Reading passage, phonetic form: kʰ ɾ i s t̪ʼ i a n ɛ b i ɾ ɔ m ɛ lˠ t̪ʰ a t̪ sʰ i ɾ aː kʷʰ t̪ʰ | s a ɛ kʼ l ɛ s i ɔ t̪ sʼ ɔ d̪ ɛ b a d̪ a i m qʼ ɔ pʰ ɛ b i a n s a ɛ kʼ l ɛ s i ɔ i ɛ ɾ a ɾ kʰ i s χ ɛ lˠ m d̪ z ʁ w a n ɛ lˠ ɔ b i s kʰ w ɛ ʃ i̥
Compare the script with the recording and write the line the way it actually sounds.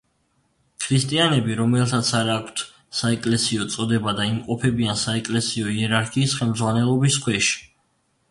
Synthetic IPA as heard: kʰ ɾ i s t̪ʼ i a n ɛ b i ɾ ɔ m ɛ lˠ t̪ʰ a t̪ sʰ a ɾ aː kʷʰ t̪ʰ | s a ɛ kʼ l ɛ s i ɔ t̪ sʼ ɔ d̪ ɛ b a d̪ a i m qʼ ɔ pʰ ɛ b i a n s a ɛ kʼ l ɛ s i ɔ i ɛ ɾ a ɾ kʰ iː s χ ɛ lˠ m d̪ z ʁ w a n ɛ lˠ ɔ b i s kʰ w ɛ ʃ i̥